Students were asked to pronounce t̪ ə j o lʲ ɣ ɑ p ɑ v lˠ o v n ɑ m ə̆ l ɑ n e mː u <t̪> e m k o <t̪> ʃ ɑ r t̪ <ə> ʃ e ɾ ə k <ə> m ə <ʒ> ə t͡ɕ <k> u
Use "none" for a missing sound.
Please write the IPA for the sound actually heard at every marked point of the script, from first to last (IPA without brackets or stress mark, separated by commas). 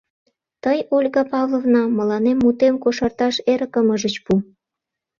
t̪, none, ɑ, ə, ʒ, p